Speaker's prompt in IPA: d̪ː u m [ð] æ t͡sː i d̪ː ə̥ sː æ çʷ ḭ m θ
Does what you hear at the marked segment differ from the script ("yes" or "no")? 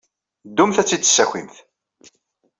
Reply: yes